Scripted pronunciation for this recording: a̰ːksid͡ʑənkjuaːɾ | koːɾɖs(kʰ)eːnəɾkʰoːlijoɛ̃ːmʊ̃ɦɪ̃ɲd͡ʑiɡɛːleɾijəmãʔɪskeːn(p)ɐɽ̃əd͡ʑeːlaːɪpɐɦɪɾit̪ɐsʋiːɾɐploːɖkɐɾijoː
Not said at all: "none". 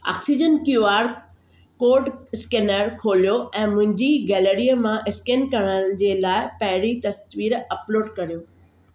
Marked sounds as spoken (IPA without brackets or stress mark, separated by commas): k, k